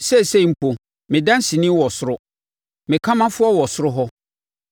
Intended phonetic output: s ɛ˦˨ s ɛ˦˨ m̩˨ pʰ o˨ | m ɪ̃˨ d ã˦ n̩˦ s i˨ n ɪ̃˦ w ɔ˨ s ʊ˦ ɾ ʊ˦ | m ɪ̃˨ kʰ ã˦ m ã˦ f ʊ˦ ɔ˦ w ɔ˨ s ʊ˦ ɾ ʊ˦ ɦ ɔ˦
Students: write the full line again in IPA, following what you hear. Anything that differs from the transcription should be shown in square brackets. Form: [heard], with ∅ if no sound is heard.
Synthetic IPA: s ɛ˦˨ s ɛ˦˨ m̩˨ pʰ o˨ | m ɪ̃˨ d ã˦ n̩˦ s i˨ n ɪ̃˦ w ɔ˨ s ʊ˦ ɾ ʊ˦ | m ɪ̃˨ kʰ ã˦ m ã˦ f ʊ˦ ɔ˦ w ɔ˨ s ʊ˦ ɾ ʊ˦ ɦ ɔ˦